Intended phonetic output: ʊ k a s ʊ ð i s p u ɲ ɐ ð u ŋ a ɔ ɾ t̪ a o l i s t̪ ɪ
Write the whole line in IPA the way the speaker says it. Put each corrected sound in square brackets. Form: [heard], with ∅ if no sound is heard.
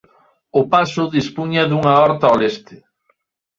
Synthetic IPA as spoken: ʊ [p] a s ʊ ð i s p u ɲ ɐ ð u ŋ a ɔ ɾ t̪ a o l [e] s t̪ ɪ